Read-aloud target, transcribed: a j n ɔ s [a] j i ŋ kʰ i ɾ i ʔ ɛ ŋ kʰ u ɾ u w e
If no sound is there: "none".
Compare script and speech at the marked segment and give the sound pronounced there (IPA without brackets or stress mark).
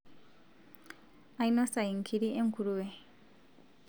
a